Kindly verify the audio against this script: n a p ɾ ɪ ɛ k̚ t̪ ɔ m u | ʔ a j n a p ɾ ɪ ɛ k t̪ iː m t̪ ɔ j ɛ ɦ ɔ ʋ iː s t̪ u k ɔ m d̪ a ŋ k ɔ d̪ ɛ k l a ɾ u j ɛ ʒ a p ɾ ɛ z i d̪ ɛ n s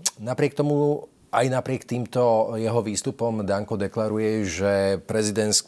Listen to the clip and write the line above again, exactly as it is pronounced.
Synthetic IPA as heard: n a p ɾ ɪ ɛ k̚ t̪ ɔ m u | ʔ a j n a p ɾ ɪ ɛ k t̪ iː m t̪ ɔ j ɛ ɦ ɔ ʋ iː s t̪ u p ɔ m d̪ a ŋ k ɔ d̪ ɛ k l a ɾ u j ɛ ʒ ɛ p ɾ ɛ z i d̪ ɛ n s